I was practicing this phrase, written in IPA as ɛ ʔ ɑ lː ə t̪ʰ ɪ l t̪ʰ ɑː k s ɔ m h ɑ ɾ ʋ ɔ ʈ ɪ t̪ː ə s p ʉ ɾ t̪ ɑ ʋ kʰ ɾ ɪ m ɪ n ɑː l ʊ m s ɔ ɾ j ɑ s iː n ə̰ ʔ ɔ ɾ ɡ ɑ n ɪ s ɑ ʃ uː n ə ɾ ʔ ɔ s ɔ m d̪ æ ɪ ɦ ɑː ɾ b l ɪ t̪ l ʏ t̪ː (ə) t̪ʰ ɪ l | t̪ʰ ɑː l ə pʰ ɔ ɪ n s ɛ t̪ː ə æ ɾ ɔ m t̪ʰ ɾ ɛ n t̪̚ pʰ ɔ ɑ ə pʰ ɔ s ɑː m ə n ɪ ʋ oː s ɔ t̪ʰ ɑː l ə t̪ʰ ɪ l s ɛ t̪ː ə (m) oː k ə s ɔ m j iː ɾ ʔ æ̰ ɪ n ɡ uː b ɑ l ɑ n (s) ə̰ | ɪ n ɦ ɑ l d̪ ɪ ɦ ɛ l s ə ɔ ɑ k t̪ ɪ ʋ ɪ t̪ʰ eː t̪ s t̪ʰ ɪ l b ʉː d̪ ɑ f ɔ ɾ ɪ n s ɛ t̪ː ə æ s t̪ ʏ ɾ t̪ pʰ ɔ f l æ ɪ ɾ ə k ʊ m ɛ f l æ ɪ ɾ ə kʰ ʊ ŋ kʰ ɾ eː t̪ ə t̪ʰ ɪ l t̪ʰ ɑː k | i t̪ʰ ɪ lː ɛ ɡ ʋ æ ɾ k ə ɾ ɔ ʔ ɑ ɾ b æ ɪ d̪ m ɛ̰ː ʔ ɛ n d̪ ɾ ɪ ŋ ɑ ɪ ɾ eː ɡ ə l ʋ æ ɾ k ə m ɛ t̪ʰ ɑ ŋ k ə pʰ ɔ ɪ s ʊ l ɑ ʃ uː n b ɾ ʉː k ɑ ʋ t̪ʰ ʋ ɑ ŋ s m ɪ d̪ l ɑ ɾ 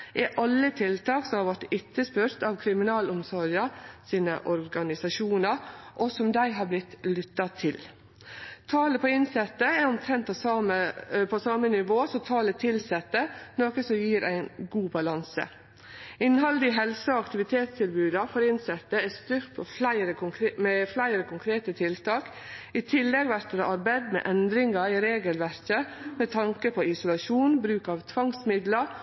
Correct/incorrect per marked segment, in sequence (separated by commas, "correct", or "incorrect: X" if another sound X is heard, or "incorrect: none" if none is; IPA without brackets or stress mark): incorrect: ɑ, incorrect: n, correct